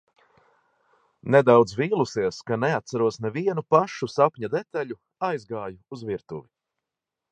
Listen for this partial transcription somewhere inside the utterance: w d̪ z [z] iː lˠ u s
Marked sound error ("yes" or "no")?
yes